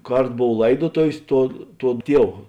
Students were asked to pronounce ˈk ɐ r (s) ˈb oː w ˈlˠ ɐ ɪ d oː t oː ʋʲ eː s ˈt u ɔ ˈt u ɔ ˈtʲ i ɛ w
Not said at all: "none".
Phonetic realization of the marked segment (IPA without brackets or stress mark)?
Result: t